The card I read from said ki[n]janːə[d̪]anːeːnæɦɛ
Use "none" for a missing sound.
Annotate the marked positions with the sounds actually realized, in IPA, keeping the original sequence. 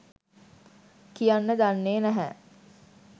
none, d̪

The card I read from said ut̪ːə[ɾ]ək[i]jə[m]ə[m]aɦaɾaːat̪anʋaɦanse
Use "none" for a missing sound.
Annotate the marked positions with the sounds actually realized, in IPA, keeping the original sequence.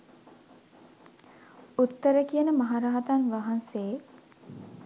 ɾ, i, n, m

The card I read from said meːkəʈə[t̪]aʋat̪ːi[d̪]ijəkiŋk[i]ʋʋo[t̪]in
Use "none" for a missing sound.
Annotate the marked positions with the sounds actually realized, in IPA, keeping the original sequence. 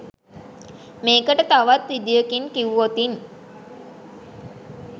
t̪, d̪, i, t̪

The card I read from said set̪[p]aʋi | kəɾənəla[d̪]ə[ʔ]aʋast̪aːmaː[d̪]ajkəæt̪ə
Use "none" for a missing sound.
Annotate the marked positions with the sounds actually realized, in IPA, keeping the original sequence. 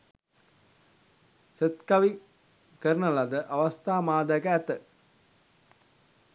k, d̪, ʔ, d̪

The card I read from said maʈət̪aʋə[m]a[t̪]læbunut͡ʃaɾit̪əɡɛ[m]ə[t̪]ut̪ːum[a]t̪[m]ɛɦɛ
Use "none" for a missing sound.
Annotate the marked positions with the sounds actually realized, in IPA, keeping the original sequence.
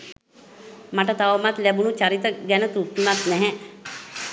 m, t̪, n, t̪, a, n

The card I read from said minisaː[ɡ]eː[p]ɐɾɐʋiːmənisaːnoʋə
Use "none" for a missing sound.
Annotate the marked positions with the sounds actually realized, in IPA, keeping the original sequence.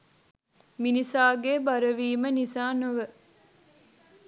ɡ, b

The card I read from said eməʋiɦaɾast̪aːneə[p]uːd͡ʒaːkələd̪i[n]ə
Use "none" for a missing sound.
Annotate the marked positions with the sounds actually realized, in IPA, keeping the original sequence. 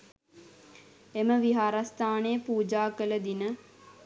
p, n

